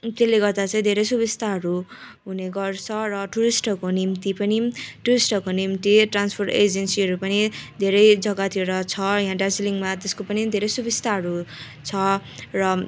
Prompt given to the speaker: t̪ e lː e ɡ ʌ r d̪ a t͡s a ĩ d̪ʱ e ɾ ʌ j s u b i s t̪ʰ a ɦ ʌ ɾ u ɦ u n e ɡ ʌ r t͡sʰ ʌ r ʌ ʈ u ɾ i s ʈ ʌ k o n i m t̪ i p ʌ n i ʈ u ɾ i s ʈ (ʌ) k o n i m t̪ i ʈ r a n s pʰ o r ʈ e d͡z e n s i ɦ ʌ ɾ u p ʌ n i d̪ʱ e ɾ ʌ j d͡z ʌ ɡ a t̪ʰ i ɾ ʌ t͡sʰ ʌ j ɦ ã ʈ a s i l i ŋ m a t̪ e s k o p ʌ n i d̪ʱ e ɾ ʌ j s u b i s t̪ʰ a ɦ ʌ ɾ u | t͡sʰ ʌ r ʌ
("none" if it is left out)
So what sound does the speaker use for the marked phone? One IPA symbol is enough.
ʌ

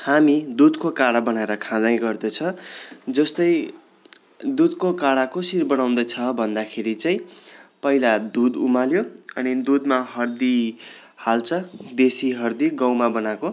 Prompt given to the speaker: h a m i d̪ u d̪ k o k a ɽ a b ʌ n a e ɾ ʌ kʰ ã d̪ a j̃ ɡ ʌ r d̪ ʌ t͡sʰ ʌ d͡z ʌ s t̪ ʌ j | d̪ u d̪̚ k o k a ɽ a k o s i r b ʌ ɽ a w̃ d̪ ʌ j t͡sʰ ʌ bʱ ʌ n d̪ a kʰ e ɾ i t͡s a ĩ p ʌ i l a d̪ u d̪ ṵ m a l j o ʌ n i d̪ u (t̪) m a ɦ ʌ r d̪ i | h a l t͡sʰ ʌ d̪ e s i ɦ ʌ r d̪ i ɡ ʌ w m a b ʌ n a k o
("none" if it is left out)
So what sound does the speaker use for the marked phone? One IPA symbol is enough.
d̪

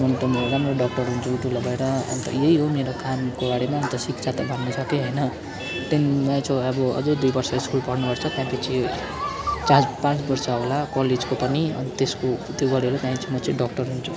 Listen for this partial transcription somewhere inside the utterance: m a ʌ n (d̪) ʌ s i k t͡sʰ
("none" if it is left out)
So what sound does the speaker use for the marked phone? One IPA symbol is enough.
t̪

